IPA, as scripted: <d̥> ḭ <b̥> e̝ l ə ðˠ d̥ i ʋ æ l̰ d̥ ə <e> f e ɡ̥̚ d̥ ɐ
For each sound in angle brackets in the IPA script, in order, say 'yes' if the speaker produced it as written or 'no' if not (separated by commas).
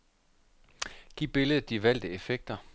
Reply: no, yes, yes